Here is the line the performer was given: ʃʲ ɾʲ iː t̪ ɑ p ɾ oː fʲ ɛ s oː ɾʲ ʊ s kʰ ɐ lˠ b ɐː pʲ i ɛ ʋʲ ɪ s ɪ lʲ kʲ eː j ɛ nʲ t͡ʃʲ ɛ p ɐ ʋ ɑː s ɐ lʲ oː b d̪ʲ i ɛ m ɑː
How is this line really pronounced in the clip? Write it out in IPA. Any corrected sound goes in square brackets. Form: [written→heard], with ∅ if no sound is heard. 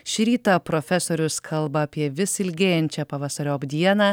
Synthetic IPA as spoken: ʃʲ ɾʲ iː t̪ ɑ p ɾ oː fʲ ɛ s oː ɾʲ ʊ s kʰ ɐ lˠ b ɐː pʲ i ɛ ʋʲ ɪ s ɪ lʲ [kʲ→ɡʲ] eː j ɛ nʲ t͡ʃʲ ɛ p ɐ ʋ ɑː s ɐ [lʲ→ɾʲ] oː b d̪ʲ i ɛ [m→n] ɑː